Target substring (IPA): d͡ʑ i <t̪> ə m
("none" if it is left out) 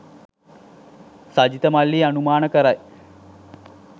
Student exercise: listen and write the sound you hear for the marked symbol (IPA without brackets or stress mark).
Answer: t̪